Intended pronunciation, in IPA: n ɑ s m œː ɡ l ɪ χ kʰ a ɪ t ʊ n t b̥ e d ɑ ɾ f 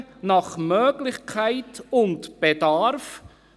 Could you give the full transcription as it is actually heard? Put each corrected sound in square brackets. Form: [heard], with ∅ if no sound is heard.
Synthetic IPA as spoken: n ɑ [χ] m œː ɡ l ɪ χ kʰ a ɪ t ʊ n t b̥ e d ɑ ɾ f